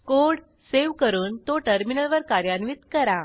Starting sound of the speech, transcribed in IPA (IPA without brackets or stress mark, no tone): k